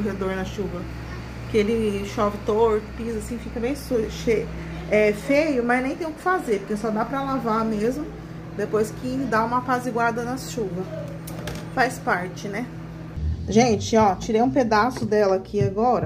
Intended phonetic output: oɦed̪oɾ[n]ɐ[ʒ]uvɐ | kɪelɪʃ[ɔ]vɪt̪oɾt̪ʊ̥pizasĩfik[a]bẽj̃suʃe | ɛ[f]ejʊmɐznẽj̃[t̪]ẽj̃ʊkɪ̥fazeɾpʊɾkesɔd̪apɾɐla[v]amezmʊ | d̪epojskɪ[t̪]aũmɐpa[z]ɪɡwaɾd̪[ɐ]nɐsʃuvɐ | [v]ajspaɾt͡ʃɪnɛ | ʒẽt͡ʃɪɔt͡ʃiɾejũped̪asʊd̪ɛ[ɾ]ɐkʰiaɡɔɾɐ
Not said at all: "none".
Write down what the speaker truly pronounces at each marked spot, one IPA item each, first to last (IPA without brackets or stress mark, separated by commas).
n, ʃ, ɔ, ɐ, f, t̪, v, d̪, z, ɐ, f, l